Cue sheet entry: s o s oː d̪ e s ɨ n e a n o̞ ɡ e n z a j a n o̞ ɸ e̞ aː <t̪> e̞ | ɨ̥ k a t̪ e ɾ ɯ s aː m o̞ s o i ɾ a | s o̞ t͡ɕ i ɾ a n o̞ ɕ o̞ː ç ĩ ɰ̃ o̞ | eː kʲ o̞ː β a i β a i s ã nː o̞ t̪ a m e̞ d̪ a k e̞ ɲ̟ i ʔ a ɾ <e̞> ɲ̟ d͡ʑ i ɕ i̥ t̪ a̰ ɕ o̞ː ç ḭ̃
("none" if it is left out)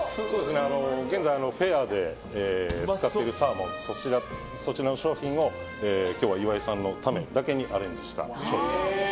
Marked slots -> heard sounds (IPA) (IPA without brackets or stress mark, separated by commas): d̪, ẽ̞